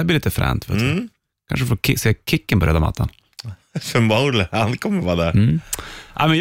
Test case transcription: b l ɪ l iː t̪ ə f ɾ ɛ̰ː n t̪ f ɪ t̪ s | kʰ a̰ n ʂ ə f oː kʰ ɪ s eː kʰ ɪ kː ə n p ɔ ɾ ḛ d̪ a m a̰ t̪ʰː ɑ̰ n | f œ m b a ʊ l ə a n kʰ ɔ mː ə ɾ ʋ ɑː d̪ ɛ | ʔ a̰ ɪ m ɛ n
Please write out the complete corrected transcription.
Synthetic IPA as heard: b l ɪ l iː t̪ ə f ɾ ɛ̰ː n t̪ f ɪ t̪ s | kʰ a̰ n ʂ ə f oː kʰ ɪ s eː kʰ ɪ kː ə n p ɔ ɾ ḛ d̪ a m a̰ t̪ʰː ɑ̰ n | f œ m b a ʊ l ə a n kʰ ɔ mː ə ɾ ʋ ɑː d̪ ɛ | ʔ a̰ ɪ m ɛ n